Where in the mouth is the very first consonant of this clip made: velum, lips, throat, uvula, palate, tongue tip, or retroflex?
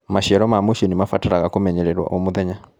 lips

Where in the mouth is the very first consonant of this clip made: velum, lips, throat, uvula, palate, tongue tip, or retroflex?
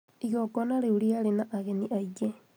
velum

